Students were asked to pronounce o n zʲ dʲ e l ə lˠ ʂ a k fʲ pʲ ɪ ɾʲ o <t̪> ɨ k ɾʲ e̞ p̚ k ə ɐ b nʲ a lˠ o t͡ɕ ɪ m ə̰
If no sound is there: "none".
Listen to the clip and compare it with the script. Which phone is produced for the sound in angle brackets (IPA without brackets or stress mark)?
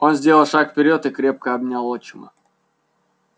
t̪